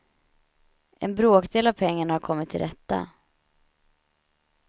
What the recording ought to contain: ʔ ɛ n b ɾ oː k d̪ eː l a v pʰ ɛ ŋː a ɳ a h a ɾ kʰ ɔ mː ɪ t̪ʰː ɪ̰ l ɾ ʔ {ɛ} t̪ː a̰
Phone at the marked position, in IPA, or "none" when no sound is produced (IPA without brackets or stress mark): ɛ